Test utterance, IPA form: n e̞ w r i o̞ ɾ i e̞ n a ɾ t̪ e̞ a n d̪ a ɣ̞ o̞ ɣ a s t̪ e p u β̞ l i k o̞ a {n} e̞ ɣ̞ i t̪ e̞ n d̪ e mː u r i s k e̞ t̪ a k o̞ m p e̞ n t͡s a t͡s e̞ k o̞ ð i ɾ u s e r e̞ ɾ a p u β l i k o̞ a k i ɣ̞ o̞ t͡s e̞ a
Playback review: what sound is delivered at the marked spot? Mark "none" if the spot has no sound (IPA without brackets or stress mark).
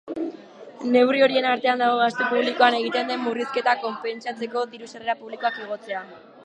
n